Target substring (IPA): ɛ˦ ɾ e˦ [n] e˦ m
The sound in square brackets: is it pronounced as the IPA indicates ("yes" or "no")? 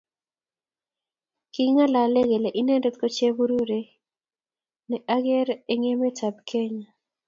no